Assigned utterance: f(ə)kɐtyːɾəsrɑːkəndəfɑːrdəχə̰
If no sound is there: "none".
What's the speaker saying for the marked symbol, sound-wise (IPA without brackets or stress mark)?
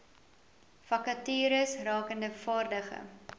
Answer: ɐ